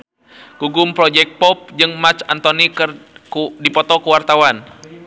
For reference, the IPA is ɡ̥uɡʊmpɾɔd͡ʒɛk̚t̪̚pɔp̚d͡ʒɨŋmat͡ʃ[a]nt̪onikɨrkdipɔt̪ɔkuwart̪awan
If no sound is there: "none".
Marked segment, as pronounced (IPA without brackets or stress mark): a